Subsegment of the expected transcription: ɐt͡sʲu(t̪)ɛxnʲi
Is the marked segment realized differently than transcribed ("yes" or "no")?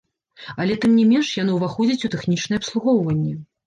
no